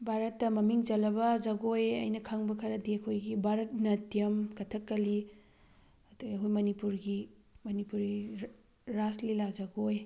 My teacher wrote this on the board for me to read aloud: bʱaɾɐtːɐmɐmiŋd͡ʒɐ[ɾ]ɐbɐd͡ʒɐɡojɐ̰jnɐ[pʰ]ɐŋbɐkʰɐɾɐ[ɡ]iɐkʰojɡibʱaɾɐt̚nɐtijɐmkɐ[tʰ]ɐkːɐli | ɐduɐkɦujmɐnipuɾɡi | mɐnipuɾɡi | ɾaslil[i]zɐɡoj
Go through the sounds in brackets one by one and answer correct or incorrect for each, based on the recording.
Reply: incorrect, incorrect, incorrect, correct, incorrect

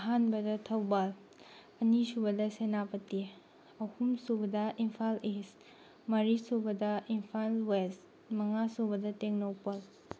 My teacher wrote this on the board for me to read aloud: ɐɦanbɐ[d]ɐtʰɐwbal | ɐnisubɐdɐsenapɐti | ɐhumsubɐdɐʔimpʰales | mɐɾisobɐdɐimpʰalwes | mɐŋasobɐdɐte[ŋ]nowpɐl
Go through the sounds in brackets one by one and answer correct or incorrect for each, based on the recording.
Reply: correct, correct

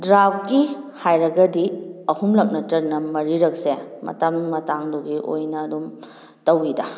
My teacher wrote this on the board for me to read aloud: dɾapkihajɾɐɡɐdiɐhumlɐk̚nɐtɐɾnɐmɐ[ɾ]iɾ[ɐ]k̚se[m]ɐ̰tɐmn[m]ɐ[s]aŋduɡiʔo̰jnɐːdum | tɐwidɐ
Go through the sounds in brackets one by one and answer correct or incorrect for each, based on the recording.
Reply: correct, correct, correct, correct, incorrect

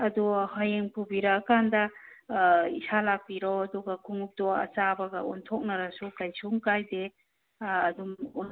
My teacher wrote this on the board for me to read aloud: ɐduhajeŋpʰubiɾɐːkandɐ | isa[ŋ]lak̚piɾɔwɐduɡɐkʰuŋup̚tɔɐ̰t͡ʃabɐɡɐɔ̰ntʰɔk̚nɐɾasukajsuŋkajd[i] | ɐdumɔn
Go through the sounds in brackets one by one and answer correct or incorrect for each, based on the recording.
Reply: incorrect, incorrect

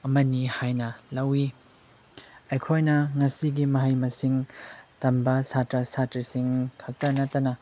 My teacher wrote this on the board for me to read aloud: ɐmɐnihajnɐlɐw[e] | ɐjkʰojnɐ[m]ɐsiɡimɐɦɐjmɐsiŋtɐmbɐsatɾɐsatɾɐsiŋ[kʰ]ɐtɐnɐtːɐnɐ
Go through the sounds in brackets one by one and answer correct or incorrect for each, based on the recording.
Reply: incorrect, incorrect, correct

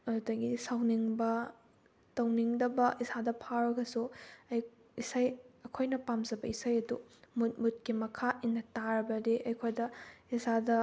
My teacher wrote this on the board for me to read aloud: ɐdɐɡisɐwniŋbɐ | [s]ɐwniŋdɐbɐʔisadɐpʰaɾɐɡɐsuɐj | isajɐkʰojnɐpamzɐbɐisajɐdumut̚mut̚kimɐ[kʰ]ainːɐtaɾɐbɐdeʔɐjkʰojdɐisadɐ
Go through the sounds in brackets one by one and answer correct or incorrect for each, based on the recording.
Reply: incorrect, correct

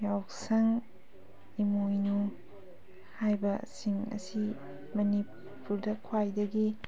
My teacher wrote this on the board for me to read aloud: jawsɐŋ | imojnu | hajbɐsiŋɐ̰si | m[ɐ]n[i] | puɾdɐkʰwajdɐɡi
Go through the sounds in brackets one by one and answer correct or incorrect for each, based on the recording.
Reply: correct, correct

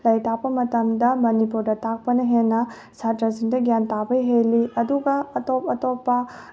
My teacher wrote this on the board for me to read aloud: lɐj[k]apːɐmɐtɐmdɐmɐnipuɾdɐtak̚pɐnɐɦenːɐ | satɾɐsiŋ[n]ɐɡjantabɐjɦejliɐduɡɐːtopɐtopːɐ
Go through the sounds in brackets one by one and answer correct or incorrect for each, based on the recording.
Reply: incorrect, incorrect

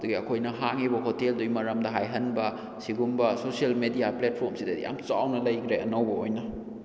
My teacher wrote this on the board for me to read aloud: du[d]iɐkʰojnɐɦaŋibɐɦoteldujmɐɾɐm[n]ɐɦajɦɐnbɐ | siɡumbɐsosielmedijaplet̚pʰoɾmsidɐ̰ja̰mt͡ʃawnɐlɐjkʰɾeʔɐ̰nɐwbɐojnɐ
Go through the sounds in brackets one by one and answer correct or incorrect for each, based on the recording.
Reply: incorrect, incorrect

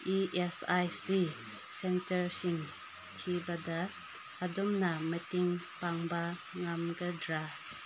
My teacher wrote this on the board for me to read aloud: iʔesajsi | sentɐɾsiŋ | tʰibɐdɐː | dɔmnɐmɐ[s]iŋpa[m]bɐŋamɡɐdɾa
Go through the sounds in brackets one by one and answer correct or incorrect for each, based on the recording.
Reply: incorrect, incorrect

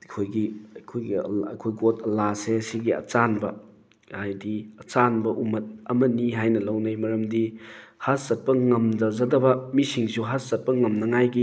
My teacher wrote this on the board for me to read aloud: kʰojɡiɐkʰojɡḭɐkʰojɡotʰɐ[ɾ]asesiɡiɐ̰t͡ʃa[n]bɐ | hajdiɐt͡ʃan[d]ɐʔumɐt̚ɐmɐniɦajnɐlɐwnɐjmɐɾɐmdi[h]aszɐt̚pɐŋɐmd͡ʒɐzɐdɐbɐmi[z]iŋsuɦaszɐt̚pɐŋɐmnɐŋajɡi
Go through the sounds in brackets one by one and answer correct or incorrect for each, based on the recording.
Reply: incorrect, correct, incorrect, correct, incorrect

